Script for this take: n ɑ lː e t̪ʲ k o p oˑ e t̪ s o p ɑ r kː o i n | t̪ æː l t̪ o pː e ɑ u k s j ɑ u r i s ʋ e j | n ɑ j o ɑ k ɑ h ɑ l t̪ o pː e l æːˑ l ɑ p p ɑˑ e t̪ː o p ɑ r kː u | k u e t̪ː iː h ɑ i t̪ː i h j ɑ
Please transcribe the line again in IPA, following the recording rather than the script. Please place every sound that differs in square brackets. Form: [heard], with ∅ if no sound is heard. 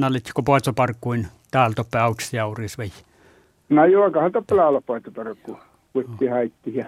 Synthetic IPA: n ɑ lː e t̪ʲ k o p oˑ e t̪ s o p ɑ r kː [u] i n | t̪ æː l t̪ o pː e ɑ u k s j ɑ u r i s ʋ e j | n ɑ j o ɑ k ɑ h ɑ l t̪ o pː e l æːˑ l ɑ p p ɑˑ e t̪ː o p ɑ r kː u | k u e t̪ː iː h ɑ i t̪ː i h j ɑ